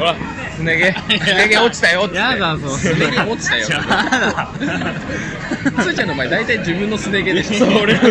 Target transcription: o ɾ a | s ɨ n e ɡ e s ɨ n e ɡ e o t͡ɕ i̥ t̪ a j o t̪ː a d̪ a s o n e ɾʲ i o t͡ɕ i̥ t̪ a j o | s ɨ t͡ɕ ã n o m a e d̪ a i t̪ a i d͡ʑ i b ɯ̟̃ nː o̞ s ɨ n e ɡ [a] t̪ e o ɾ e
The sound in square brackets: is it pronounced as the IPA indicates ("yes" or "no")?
no